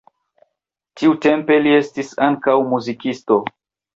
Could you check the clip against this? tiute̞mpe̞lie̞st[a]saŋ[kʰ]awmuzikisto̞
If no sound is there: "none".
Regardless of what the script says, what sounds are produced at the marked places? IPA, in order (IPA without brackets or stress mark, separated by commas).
i, k